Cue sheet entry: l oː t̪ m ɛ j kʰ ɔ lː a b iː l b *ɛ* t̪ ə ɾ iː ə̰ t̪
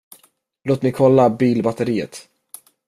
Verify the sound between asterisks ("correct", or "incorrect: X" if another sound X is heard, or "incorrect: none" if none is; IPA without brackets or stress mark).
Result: incorrect: a